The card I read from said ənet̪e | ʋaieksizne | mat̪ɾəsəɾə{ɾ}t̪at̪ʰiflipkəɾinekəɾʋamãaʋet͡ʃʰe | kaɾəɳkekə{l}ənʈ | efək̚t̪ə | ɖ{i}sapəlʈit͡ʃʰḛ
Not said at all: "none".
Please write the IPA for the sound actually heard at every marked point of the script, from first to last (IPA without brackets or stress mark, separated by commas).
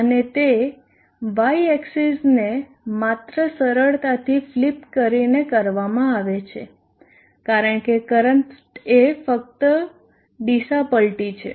ɭ, ɾ, i